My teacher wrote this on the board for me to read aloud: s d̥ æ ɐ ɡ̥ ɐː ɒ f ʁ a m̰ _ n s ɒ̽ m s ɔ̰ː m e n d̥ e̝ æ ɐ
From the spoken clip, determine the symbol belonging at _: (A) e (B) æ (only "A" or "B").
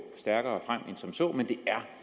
A